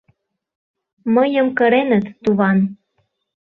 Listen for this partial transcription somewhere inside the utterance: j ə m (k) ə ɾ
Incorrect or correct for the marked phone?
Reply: correct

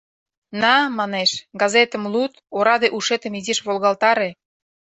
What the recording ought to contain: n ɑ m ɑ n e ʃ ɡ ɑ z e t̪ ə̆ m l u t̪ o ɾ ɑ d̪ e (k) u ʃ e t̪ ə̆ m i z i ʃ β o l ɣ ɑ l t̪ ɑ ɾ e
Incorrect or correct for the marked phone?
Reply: incorrect: ʔ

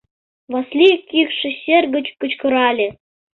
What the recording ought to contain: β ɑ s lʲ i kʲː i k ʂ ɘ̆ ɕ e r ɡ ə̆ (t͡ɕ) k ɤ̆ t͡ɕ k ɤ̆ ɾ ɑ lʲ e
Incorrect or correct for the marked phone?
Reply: correct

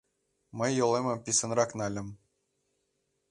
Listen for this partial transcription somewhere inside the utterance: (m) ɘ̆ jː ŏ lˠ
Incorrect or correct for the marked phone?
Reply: correct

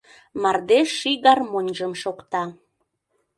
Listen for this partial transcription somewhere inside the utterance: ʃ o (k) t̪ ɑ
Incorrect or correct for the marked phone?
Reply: correct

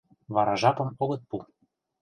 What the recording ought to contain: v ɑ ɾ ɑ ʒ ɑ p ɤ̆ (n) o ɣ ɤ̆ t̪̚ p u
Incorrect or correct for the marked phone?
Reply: incorrect: m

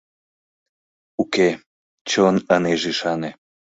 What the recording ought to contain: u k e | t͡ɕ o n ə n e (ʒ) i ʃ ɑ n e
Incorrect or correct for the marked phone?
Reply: correct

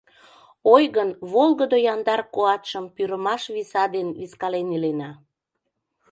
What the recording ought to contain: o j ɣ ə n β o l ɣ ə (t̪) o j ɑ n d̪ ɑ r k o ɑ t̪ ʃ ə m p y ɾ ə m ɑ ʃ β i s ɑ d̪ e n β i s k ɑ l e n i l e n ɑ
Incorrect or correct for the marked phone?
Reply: incorrect: d̪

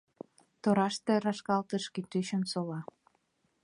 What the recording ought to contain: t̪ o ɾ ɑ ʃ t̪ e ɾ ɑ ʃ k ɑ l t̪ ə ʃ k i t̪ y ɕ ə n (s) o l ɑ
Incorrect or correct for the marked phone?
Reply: correct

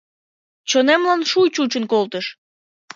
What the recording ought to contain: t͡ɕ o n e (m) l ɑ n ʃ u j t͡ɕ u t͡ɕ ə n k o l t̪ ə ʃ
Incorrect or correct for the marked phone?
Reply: correct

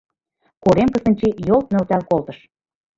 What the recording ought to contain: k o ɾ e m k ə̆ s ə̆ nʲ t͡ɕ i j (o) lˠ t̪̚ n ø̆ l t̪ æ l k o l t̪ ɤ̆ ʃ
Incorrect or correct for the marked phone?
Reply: correct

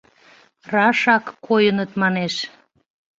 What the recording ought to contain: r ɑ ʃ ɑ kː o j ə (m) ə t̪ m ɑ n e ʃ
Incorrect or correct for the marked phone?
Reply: incorrect: n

